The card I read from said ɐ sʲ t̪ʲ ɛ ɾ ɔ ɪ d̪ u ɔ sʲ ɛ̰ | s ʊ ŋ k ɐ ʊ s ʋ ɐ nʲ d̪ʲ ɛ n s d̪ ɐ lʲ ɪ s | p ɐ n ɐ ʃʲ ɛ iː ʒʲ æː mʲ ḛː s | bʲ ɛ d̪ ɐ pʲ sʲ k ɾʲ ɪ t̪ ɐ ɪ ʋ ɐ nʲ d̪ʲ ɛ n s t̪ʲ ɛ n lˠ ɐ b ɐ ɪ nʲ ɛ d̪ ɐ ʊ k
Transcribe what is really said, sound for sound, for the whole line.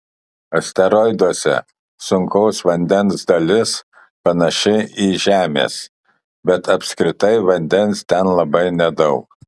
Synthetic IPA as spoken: ɐ sʲ t̪ʲ ɛ ɾ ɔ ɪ d̪ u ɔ sʲ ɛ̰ | s ʊ ŋ k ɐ ʊ s ʋ ɐ nʲ d̪ʲ ɛ n s d̪ ɐ lʲ ɪ s | p ɐ n ɐ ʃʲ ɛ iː ʒʲ æː mʲ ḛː s | bʲ ɛ t̪ ɐ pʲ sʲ k ɾʲ ɪ t̪ ɐ ɪ ʋ ɐ nʲ d̪ʲ ɛ n s t̪ʲ ɛ n lˠ ɐ b ɐ ɪ nʲ ɛ d̪ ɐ ʊ k